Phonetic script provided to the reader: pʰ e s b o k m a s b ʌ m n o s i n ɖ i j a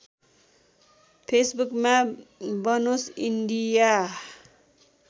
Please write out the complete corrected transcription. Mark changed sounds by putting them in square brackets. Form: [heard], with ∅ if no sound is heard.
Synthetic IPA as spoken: pʰ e s b [u] k m a [∅] b ʌ [∅] n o s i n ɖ i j a